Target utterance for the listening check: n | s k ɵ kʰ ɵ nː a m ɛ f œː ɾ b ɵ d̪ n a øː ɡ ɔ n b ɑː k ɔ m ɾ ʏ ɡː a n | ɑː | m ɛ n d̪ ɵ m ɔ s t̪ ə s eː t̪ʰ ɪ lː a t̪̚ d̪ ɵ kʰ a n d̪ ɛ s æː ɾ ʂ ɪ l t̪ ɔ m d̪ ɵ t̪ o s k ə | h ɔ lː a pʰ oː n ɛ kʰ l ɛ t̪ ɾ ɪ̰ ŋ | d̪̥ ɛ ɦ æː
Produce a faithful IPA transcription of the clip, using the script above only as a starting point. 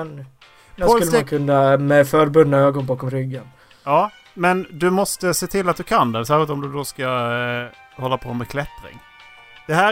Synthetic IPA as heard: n | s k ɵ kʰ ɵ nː a m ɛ f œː ɾ b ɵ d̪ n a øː ɡ ɔ n b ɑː k ɔ m ɾ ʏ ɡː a n | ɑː | m ɛ n d̪ ɵ m ɔ s t̪ ə s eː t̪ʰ ɪ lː a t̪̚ d̪ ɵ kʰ a n d̪ ɛ s æː ɾ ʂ ɪ l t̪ ɔ m d̪ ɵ d̪ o s k a | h ɔ lː a pʰ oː m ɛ kʰ l ɛ t̪ ɾ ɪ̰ ŋ | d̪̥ ɛ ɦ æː